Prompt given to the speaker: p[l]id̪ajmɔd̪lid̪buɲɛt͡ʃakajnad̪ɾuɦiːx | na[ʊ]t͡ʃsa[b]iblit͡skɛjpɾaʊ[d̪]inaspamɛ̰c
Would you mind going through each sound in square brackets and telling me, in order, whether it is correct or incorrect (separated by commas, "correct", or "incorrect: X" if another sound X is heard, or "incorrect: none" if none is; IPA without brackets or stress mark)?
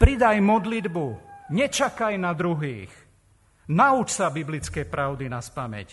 incorrect: ɾ, incorrect: u, correct, correct